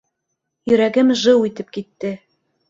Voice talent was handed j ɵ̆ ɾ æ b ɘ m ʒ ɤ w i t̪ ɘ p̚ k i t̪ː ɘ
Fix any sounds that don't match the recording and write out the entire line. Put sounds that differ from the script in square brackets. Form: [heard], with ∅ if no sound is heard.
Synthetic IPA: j ɵ̆ ɾ æ [ɡ] ɘ m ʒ ɤ w i t̪ ɘ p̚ k i t̪ː ɘ